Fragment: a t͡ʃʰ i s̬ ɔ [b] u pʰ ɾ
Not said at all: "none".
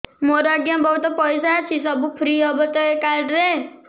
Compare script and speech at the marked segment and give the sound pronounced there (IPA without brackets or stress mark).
b